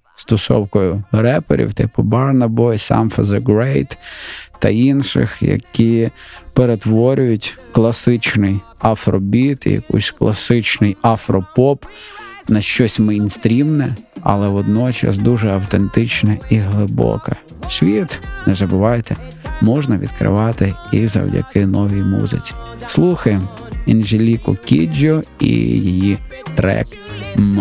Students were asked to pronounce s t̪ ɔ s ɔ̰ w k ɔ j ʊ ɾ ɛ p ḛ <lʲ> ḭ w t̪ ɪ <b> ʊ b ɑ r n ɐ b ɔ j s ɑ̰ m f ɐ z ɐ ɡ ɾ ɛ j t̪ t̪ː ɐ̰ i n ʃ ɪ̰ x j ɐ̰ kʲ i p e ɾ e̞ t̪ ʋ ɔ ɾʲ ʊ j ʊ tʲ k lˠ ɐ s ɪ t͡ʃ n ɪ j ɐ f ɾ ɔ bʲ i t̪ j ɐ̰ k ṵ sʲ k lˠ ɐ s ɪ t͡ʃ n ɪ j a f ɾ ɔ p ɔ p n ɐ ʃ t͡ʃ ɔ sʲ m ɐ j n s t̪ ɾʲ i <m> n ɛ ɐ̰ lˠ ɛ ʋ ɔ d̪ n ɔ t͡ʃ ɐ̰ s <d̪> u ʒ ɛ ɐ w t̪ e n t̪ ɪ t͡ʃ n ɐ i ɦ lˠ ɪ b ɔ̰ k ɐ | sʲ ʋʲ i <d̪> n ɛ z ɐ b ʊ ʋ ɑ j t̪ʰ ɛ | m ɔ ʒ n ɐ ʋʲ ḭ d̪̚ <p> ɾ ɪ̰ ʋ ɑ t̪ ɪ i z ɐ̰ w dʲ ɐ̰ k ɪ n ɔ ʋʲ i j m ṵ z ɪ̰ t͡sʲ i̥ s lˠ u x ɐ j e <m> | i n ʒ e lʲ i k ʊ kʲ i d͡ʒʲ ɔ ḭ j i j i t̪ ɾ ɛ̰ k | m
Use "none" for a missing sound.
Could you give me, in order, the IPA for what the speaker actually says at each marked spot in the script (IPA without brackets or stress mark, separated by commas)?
ɾʲ, p, m, d̪, t̪, k, m